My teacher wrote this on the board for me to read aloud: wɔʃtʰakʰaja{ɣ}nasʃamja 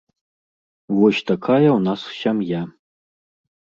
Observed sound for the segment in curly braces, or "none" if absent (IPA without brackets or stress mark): w